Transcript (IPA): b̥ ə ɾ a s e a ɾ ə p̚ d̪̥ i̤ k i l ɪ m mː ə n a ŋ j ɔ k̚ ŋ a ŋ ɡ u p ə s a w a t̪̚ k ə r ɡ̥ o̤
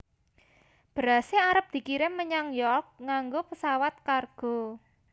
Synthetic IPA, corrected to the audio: b̥ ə ɾ a s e a ɾ ə p̚ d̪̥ i̤ k i ɾ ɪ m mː ə ɲ a ŋ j ɔ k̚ ŋ a ŋ ɡ o p ə s a w a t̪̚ k a r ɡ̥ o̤